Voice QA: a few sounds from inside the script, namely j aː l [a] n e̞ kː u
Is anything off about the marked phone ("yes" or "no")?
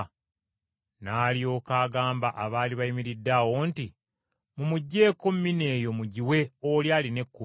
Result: yes